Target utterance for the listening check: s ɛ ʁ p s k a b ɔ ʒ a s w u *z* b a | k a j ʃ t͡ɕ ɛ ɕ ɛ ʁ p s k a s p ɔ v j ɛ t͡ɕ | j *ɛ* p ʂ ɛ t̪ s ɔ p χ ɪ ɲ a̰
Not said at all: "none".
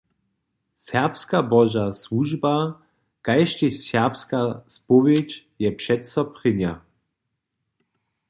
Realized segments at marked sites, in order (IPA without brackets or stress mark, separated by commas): ʒ, ɛ